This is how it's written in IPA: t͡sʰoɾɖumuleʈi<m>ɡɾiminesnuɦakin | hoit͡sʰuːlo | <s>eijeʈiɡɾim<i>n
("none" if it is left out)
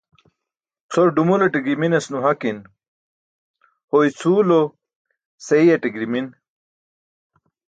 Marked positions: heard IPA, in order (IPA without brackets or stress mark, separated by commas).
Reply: none, s, i